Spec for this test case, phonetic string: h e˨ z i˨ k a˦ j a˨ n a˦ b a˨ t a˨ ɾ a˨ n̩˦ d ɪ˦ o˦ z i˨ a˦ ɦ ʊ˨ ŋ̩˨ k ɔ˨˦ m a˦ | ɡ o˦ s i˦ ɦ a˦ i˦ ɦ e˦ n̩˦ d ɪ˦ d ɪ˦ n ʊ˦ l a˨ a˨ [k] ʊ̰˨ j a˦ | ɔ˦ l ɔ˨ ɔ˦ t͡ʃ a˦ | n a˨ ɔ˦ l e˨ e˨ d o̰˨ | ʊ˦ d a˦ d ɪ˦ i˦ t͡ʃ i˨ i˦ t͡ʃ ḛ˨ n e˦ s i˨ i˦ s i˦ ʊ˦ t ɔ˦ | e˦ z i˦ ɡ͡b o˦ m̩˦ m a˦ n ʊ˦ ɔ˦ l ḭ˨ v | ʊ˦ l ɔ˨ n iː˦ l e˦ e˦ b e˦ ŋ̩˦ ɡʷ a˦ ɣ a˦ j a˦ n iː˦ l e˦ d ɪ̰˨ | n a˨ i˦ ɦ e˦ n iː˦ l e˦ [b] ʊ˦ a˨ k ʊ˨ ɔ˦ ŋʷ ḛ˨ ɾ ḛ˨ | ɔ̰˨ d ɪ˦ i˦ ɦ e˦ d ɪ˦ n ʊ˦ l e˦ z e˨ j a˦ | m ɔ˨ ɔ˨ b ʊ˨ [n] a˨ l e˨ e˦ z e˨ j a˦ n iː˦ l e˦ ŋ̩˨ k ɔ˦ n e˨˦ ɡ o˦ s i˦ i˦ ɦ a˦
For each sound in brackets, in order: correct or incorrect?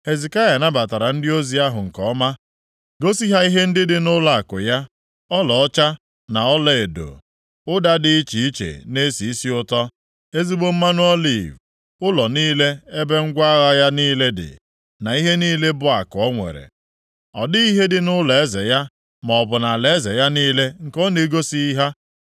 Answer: correct, correct, correct

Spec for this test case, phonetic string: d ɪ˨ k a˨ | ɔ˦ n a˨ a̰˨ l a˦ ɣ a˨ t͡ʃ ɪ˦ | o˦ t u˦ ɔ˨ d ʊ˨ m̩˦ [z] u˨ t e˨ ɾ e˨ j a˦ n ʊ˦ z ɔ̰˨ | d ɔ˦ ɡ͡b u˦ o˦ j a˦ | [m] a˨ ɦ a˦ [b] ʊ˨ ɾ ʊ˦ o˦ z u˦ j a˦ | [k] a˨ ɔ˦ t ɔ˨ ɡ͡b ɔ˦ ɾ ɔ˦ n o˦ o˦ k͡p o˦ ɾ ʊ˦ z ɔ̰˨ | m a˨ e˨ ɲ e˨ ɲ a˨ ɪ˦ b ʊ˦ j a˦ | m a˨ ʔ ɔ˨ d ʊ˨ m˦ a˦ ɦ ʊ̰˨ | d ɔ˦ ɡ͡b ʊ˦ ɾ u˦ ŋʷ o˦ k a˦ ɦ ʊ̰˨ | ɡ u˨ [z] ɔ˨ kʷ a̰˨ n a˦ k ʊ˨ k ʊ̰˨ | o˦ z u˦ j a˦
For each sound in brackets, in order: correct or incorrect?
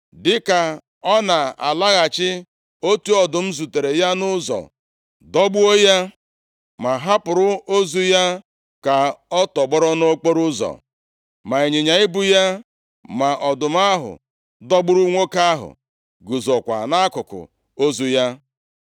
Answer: correct, correct, incorrect: p, correct, correct

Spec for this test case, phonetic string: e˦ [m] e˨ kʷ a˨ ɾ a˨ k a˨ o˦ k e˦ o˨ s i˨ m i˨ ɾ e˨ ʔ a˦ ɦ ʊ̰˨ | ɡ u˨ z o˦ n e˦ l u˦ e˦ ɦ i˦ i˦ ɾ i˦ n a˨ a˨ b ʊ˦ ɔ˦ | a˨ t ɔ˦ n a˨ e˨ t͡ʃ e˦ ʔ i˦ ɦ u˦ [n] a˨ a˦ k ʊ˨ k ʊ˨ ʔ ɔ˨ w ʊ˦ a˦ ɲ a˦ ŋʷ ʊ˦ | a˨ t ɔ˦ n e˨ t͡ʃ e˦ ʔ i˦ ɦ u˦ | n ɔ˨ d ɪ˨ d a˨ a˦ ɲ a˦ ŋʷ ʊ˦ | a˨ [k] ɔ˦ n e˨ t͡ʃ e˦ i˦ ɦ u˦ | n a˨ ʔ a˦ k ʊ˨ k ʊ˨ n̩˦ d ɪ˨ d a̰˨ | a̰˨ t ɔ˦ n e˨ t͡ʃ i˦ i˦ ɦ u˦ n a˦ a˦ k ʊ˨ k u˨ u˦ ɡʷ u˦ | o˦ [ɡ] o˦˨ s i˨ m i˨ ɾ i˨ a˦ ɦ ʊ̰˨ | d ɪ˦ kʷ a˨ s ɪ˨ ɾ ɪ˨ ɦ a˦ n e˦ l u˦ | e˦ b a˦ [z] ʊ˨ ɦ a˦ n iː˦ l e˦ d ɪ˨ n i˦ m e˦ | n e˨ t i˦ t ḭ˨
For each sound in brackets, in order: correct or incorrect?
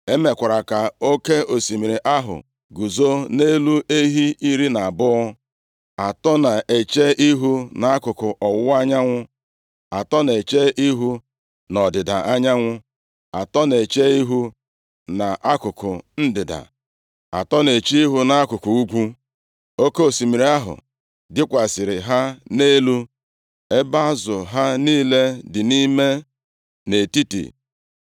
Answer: correct, correct, incorrect: t, incorrect: k, correct

